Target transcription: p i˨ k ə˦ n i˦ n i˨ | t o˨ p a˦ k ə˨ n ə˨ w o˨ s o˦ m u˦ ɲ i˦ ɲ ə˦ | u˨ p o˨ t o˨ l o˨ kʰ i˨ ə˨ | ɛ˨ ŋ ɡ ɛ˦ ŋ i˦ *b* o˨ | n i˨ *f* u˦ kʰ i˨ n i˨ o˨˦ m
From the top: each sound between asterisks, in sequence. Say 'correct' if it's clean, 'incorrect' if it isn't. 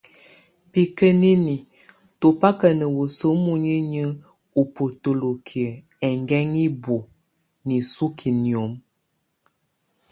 correct, incorrect: s

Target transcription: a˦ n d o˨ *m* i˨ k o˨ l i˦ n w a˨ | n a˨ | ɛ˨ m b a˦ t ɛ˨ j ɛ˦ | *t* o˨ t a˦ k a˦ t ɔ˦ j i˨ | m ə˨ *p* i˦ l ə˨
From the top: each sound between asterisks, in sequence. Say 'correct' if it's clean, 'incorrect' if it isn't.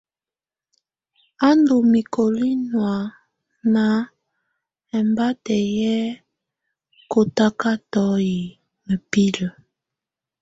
correct, incorrect: k, correct

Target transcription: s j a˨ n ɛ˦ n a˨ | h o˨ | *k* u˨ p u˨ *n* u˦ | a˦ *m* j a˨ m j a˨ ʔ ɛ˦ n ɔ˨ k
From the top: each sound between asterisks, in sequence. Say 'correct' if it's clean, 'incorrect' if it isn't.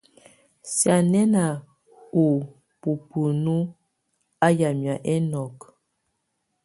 incorrect: p, correct, incorrect: none

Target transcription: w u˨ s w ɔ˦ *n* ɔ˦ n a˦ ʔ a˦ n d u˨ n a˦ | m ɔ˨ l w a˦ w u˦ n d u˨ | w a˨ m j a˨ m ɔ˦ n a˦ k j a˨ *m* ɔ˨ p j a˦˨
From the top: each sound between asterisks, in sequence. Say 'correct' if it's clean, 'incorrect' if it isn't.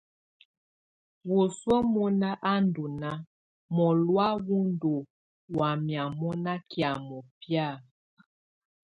incorrect: m, correct

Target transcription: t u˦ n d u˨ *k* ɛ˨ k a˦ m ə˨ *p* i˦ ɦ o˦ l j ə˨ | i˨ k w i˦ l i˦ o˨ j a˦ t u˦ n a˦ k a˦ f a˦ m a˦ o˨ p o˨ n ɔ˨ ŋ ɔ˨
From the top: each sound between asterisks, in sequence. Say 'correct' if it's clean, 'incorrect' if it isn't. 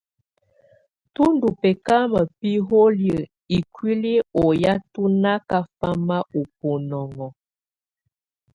incorrect: p, correct

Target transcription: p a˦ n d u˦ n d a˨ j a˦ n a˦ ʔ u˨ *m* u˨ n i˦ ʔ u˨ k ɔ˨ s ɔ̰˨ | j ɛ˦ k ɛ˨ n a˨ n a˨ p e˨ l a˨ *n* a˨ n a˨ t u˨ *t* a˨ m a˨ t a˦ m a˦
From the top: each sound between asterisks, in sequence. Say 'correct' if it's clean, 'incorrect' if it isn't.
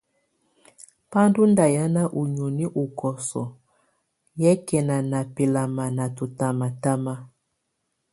incorrect: ɲ, incorrect: m, correct

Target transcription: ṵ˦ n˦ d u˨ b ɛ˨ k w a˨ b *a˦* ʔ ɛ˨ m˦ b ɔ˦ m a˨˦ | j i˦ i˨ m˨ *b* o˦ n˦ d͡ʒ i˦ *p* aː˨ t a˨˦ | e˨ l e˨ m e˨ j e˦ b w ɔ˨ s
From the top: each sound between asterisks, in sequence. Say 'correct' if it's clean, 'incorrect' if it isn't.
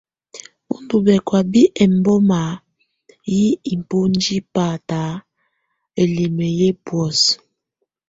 incorrect: i˦, incorrect: p, correct

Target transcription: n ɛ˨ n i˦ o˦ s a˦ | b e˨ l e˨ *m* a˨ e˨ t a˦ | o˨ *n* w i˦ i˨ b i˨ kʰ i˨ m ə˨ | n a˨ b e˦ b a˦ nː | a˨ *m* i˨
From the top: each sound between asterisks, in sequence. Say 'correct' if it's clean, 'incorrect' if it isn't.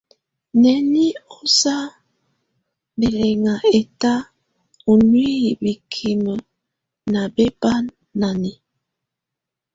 incorrect: ŋ, correct, incorrect: n

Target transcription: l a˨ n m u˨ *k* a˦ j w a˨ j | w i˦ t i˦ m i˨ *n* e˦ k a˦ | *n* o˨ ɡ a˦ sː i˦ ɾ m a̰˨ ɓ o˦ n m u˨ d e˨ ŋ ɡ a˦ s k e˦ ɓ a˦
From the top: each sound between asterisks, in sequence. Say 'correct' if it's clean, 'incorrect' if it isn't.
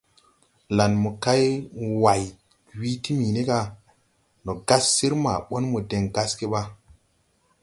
correct, correct, correct

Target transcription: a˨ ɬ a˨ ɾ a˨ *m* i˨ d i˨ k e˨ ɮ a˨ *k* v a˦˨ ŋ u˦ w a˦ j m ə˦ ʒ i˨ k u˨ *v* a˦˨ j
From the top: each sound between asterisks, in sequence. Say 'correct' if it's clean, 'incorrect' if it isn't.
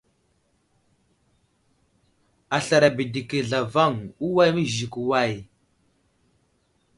incorrect: b, incorrect: none, incorrect: w

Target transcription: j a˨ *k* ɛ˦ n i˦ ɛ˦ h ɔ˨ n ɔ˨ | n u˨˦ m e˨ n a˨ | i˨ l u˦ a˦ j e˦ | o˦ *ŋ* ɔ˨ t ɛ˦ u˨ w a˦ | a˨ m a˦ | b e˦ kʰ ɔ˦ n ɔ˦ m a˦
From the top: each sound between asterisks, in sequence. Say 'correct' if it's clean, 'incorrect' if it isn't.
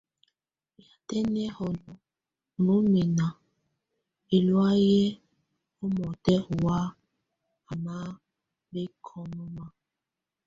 incorrect: t, incorrect: m

